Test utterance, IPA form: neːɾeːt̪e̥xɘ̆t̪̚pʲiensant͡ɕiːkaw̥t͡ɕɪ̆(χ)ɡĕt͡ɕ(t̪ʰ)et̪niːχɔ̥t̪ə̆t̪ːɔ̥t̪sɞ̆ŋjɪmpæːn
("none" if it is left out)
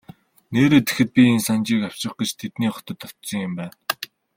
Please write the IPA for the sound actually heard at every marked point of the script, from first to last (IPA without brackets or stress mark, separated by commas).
χ, t̪ʰ